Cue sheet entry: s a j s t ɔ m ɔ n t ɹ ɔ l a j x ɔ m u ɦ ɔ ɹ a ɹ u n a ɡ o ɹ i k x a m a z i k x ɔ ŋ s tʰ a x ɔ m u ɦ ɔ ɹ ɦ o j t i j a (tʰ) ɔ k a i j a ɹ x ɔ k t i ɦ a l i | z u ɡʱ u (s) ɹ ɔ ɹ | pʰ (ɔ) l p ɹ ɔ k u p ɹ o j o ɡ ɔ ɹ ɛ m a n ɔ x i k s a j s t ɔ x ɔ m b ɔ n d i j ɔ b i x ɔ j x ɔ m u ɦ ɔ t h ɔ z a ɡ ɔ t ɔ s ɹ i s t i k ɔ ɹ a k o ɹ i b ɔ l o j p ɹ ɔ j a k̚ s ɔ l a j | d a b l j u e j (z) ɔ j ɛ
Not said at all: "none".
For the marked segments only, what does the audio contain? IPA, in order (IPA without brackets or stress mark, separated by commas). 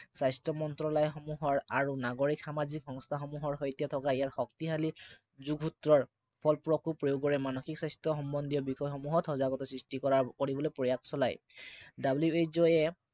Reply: tʰ, t, ɔ, z